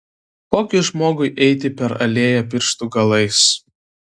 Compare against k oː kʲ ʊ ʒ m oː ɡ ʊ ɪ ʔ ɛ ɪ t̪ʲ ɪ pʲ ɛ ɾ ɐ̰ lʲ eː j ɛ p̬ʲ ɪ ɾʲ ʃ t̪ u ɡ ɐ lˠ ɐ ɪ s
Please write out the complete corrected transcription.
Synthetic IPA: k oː kʲ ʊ ʒ m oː ɡ ʊ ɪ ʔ ɛ ɪ t̪ʲ ɪ pʲ ɛ ɾ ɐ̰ lʲ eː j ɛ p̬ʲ ɪ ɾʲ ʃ t̪ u ɡ ɐ lˠ ɐ ɪ s